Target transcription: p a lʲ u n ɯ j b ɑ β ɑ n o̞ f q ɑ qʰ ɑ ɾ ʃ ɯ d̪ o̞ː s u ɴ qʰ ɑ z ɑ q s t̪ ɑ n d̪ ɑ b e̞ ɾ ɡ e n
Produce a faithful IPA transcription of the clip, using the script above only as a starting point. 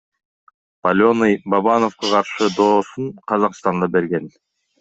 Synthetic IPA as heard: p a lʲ o n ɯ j b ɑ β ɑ n o̞ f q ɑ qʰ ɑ ɾ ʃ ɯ d̪ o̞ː s u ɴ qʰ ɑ z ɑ q s t̪ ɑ n d̪ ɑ b e̞ ɾ ɡ e n